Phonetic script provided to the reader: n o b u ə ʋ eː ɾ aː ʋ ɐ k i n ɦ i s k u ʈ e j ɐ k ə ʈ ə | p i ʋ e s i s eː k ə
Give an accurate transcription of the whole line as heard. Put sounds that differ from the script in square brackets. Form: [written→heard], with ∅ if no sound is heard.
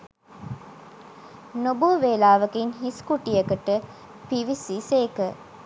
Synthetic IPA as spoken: n o b u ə ʋ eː [ɾ→l] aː ʋ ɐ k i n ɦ i s k u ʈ [e→i] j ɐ k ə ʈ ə | p i ʋ [e→i] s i s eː k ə